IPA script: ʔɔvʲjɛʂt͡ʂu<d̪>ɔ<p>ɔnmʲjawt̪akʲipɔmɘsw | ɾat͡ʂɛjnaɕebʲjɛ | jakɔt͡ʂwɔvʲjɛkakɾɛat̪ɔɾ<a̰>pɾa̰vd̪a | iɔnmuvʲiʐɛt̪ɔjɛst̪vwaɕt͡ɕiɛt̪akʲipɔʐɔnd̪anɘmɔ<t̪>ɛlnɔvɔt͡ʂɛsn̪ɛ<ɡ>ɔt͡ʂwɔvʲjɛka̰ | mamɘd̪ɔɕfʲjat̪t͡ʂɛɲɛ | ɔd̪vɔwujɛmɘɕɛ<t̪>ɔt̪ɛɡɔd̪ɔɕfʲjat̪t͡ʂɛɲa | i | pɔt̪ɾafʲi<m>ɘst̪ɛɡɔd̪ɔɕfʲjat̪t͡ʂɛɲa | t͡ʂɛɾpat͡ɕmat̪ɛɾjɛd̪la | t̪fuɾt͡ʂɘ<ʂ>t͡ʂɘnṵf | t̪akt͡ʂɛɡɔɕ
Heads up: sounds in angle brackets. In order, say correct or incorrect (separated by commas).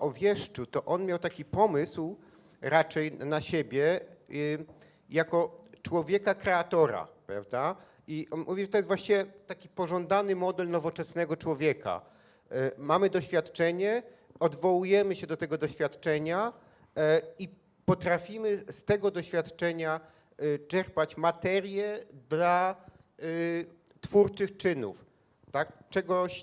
incorrect, incorrect, correct, incorrect, correct, incorrect, correct, incorrect